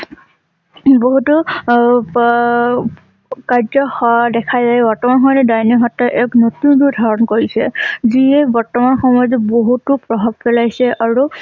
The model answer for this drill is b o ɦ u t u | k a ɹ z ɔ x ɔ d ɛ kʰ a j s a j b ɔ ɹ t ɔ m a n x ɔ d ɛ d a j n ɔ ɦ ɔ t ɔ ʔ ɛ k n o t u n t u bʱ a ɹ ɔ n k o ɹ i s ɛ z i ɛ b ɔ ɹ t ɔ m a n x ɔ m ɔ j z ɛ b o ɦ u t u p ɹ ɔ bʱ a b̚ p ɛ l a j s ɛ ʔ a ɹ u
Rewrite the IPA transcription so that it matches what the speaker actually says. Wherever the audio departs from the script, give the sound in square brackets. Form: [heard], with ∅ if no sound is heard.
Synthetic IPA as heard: b o ɦ u t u | k a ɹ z ɔ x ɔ d ɛ kʰ a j [z] a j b ɔ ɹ t ɔ m a n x ɔ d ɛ d a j n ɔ ɦ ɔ t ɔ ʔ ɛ k n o t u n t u [dʱ] a ɹ ɔ n k o ɹ i s ɛ z i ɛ b ɔ ɹ t ɔ m a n x ɔ m ɔ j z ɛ b o ɦ u t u p ɹ ɔ bʱ a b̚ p ɛ l a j s ɛ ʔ a ɹ u